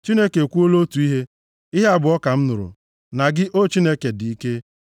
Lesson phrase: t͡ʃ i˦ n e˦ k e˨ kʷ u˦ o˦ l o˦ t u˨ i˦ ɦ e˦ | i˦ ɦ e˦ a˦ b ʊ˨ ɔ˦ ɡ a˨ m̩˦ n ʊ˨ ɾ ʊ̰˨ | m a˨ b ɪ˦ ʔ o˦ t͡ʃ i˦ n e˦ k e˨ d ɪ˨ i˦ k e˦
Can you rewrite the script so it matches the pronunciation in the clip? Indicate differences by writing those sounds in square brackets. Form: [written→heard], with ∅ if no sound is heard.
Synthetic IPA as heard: t͡ʃ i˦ n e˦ k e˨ kʷ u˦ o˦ l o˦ t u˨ i˦ ɦ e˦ | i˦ ɦ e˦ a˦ b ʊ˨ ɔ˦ [ɡ→k] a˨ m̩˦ n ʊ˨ ɾ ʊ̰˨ | [m→n] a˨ [b→ɡ] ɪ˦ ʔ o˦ t͡ʃ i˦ n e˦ k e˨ d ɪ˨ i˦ k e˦